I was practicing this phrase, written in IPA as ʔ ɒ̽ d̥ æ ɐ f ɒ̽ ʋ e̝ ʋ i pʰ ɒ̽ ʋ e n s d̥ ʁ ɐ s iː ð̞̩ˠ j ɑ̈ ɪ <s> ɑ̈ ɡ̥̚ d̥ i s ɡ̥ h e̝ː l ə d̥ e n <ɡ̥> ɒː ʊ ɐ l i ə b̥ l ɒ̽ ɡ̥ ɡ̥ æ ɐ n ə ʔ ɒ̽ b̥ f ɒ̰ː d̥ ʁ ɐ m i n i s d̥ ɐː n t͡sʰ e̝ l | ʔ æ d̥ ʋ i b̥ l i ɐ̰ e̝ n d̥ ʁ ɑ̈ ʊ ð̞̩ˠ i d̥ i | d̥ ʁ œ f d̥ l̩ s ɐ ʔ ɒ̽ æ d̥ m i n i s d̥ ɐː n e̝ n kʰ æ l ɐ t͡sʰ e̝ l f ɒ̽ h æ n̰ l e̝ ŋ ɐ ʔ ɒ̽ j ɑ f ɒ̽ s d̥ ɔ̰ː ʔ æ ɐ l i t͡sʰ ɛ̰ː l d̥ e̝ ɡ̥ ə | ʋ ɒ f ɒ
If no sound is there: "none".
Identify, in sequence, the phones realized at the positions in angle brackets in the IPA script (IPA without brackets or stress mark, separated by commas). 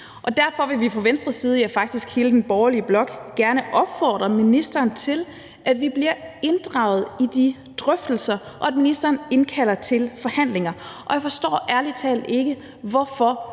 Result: f, b̥